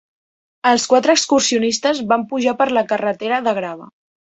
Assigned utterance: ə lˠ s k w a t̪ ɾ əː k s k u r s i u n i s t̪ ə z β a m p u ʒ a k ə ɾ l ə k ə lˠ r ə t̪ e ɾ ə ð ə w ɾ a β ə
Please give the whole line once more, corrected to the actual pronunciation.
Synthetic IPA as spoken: ə lˠ s k w a t̪ ɾ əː k s k u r s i u n i s t̪ ə z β a m p u ʒ a p ə ɾ l ə k ə r ə t̪ e ɾ ə ð ə ɣ ɾ a β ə